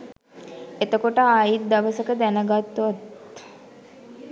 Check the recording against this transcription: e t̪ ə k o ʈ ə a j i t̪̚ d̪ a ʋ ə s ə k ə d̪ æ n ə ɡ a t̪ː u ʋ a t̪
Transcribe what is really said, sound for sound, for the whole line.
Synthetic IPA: e t̪ ə k o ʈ ə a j i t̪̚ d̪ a ʋ ə s ə k ə d̪ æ n ə ɡ a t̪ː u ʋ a t̪